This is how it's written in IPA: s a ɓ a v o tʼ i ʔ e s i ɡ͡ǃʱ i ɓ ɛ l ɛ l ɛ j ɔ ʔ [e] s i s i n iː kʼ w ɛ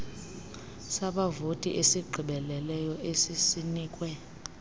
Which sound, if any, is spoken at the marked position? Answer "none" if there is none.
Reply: e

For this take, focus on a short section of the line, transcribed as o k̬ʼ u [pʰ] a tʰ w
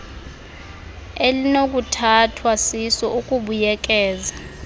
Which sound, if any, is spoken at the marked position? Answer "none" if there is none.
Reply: tʰ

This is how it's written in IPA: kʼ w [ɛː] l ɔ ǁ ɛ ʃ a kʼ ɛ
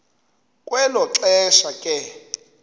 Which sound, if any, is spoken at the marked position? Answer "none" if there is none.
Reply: ɛ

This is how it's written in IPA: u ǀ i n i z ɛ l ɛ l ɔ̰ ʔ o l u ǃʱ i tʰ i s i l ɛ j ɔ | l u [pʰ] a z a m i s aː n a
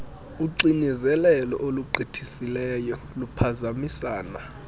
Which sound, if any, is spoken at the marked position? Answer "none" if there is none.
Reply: pʰ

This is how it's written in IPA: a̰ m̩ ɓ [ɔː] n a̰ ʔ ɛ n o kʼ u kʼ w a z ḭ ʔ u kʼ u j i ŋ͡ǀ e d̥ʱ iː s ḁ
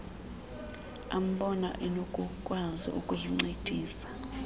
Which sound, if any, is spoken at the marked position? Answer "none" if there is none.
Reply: ɔ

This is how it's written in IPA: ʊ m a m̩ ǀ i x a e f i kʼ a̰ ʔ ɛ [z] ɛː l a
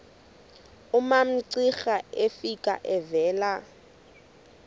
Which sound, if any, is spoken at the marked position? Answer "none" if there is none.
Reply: v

